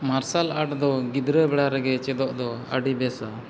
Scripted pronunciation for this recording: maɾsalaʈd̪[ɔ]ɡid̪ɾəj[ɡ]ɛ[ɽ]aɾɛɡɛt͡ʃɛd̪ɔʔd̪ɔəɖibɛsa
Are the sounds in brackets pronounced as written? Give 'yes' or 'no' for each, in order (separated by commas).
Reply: yes, no, yes